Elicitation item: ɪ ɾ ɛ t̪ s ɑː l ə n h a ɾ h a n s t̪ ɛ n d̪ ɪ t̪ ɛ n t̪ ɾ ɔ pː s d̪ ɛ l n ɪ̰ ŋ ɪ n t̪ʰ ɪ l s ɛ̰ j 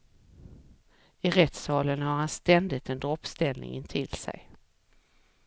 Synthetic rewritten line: ɪ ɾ ɛ t̪ s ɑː l ə n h a ɾ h a n s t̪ ɛ n d̪ ɪ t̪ ɛ n d̪ ɾ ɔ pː s t̪ ɛ l n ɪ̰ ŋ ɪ n t̪ʰ ɪ l s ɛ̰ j